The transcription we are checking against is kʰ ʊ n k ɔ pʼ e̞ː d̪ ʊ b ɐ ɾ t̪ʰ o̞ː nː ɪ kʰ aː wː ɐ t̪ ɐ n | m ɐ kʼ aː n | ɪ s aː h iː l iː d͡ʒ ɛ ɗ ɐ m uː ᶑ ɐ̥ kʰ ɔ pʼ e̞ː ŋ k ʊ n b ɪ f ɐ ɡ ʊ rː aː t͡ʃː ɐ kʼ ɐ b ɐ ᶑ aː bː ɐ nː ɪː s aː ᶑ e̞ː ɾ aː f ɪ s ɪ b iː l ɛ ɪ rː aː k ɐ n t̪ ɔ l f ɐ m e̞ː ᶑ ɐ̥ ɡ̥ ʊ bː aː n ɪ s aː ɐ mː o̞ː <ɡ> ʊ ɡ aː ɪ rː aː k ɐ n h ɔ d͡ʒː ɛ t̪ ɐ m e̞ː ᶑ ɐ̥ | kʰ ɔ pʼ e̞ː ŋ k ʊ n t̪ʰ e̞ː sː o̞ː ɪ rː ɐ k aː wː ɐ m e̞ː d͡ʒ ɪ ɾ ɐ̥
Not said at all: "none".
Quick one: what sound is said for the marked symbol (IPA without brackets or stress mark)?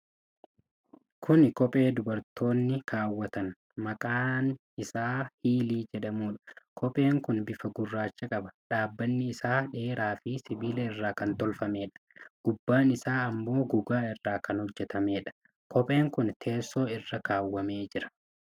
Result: ɡ